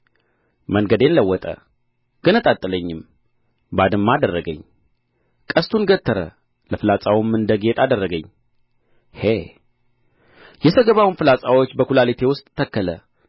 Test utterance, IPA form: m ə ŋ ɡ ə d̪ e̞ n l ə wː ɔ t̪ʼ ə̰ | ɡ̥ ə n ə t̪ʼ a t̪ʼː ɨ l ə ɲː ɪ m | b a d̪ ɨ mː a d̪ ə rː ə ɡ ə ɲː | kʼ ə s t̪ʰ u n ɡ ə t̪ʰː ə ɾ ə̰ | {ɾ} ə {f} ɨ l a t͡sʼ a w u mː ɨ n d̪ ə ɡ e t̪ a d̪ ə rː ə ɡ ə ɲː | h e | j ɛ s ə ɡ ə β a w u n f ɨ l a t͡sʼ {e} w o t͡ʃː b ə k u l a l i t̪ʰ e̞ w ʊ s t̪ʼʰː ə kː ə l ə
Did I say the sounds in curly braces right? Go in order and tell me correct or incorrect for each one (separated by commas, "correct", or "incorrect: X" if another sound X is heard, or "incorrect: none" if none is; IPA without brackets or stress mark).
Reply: incorrect: l, correct, incorrect: a